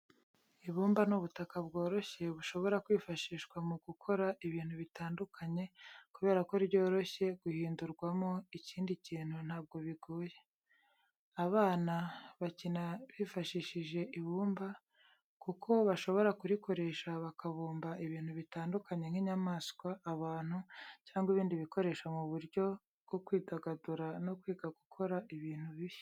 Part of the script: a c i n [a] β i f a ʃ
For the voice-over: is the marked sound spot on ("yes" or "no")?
yes